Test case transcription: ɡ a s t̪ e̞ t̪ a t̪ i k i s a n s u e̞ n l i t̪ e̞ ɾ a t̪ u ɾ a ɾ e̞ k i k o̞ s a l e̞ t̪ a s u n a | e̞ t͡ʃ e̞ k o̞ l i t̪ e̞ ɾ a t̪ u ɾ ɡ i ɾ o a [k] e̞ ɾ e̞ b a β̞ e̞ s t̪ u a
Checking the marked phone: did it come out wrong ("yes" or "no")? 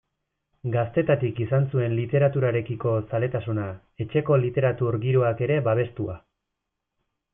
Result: no